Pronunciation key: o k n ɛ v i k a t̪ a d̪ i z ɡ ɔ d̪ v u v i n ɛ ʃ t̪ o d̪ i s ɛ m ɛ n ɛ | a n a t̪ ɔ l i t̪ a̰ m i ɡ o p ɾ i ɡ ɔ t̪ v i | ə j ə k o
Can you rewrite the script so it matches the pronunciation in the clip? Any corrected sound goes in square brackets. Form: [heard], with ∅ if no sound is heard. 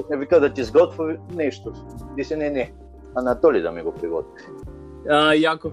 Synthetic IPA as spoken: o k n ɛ v i k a [d̪] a [t̪] i z ɡ ɔ [t̪] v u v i n ɛ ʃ t̪ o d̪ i s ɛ [n] ɛ n ɛ | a n a t̪ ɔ l i [d̪] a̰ m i ɡ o p ɾ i ɡ ɔ t̪ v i | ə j [a] k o